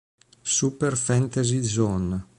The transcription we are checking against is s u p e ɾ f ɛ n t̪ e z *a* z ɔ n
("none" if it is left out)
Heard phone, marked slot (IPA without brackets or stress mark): i